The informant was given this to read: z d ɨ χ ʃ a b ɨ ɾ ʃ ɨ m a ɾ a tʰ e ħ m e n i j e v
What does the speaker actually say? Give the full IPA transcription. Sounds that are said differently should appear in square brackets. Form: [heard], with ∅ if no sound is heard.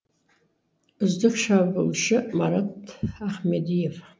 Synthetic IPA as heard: z d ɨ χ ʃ a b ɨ [l] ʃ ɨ m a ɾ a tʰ [a] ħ m e [d] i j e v